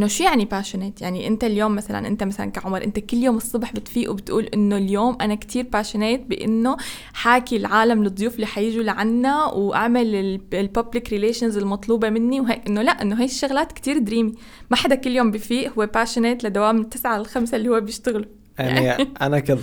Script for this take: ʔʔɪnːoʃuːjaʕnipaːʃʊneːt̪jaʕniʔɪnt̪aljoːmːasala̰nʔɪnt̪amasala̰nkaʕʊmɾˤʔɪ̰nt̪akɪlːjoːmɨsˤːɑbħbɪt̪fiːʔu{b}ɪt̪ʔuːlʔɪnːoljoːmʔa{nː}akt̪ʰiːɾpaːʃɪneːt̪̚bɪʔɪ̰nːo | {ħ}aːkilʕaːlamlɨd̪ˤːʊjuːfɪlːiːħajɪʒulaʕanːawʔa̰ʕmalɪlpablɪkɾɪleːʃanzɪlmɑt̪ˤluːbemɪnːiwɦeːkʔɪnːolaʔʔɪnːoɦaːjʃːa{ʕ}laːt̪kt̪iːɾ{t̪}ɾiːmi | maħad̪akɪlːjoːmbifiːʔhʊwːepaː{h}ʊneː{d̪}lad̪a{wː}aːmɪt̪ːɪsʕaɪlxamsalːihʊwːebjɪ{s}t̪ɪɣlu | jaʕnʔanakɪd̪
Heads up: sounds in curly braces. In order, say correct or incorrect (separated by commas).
correct, incorrect, correct, incorrect, incorrect, incorrect, incorrect, incorrect, incorrect